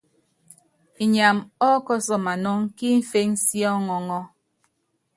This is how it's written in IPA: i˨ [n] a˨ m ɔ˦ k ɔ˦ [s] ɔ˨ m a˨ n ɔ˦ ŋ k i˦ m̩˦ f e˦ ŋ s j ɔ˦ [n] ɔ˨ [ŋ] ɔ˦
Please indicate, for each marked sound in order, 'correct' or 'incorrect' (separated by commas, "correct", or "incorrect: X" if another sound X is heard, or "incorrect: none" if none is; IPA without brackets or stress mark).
incorrect: ɲ, correct, incorrect: ŋ, correct